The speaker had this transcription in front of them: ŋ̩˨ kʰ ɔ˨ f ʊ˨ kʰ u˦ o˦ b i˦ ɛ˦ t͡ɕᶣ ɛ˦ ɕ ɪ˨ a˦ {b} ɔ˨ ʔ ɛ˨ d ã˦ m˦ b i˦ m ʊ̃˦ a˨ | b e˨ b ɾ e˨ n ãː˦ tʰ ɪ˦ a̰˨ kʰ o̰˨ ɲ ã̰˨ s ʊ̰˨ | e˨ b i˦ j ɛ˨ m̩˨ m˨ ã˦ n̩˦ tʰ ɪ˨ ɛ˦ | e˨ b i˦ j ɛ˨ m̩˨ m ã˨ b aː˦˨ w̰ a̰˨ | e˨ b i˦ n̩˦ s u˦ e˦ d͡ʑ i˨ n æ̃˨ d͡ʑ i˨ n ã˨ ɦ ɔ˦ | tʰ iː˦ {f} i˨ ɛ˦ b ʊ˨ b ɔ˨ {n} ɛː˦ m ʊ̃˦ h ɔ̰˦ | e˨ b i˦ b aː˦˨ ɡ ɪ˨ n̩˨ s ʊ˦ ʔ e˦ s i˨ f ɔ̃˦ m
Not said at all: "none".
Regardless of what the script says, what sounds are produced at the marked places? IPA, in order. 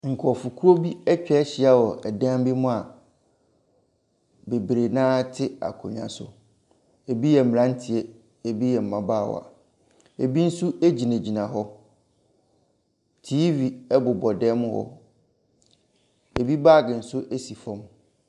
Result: w, v, d

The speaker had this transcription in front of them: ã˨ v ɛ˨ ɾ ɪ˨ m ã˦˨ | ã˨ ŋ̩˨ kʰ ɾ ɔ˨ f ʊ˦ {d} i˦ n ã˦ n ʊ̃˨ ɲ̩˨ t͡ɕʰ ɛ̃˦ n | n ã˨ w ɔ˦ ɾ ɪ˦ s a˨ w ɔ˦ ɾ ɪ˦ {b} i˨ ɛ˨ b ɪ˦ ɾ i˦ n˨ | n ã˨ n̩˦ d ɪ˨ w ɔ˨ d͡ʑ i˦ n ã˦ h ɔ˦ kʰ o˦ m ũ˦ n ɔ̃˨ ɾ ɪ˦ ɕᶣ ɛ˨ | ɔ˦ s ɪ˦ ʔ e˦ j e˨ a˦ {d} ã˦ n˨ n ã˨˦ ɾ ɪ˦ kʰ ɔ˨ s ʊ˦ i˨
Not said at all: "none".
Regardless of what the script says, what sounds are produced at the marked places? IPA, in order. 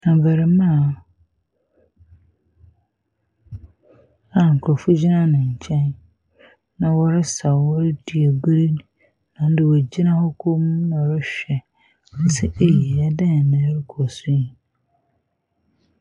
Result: d͡ʑ, d, d

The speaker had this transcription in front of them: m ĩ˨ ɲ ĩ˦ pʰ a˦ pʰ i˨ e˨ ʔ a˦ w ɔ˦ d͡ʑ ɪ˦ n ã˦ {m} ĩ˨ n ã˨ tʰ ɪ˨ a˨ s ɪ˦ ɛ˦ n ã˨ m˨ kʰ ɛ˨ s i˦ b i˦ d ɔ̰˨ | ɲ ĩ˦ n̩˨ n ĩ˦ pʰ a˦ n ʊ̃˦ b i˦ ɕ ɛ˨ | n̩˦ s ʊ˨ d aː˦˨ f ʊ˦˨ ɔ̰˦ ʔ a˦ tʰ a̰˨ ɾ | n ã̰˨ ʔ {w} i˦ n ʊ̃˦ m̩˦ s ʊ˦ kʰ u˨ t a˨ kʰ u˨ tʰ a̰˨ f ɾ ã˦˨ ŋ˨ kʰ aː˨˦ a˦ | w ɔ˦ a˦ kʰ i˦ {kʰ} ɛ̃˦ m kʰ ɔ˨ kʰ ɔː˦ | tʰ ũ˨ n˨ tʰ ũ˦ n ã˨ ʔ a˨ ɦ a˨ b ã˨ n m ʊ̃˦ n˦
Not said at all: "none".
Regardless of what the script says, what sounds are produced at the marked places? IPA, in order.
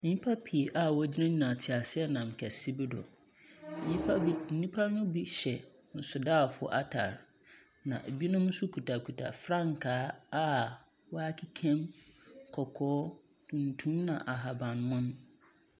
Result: ɲ, b, kʰ

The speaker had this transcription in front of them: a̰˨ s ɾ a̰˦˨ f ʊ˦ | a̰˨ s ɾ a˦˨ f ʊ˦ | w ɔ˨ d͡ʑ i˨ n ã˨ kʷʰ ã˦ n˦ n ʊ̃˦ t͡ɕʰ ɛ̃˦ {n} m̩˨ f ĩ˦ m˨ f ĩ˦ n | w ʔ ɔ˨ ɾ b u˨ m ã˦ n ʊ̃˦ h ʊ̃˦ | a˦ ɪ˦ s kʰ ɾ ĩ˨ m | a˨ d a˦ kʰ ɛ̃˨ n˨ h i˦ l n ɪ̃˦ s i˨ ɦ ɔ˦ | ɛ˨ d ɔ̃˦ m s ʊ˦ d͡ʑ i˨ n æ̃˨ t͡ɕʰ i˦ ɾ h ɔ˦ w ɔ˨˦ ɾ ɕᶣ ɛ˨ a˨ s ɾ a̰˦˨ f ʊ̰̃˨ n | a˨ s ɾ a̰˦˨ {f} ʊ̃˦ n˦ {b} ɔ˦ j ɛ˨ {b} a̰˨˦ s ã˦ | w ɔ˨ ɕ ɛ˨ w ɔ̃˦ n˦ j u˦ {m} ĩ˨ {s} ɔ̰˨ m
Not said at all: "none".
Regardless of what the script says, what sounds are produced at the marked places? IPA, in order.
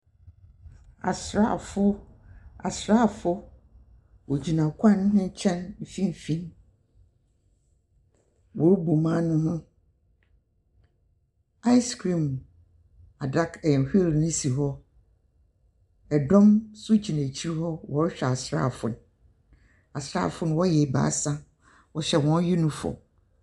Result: n, f, w, b, n, f

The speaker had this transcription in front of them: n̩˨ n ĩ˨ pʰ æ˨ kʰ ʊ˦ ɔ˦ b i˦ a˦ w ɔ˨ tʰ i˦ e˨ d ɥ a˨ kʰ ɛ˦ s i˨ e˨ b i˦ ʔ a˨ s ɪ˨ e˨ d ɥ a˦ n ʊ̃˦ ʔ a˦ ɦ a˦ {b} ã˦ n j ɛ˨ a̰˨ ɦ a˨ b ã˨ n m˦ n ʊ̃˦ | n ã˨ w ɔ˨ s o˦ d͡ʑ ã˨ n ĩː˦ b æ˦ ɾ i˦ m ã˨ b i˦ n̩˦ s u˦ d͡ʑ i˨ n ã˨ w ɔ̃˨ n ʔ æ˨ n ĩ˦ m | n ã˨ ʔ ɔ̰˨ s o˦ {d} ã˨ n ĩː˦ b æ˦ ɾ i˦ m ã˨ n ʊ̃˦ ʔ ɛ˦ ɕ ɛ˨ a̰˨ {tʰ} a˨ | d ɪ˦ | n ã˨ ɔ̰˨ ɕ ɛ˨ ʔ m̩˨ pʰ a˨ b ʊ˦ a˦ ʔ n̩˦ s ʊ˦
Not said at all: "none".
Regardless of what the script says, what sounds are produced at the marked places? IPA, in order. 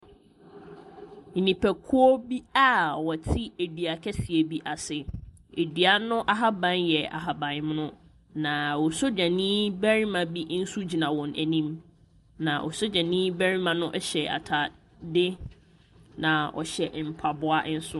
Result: b, d͡ʑ, tʰ

